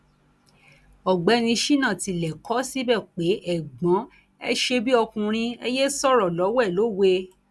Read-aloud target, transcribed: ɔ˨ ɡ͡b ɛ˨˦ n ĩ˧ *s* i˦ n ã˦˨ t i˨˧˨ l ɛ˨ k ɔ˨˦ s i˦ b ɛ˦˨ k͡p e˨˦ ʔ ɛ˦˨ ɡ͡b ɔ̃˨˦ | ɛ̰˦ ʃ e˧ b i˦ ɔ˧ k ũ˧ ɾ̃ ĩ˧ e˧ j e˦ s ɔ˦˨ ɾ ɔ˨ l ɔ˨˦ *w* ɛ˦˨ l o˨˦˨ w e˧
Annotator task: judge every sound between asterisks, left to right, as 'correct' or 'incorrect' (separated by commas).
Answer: incorrect, correct